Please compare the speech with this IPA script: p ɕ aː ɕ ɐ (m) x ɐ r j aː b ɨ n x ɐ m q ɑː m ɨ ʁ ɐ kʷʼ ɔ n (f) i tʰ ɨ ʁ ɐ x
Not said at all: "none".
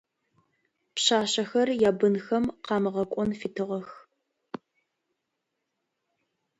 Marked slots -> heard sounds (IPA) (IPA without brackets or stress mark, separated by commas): none, f